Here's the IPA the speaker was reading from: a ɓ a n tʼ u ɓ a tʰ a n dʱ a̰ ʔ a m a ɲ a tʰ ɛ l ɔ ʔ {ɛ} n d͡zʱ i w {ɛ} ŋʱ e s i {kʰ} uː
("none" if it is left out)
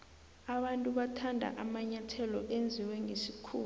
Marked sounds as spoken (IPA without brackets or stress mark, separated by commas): e, ɛ, kʰ